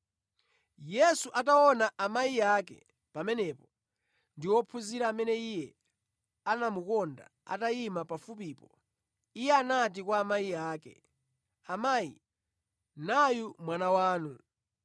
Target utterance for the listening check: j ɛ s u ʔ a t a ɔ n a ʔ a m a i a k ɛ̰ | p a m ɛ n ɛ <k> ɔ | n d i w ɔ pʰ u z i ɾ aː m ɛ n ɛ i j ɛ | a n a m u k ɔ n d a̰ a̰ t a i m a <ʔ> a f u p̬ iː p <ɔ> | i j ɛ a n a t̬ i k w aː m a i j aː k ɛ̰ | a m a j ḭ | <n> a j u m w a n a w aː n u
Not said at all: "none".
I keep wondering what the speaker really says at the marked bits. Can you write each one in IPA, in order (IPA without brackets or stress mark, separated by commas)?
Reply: p, p, ɔ, n